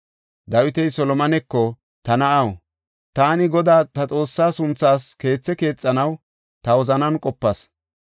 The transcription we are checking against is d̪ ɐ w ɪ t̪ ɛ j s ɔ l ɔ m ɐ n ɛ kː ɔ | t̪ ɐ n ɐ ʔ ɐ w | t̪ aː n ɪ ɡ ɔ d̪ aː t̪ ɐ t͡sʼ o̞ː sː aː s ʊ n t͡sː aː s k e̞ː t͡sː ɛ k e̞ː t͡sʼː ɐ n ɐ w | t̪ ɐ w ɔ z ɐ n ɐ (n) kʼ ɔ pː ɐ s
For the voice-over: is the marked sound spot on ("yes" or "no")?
yes